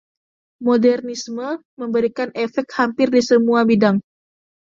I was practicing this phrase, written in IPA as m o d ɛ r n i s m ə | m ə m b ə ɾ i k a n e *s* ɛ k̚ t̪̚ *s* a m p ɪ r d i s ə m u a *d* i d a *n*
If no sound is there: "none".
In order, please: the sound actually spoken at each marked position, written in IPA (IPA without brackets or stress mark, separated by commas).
f, h, b, ŋ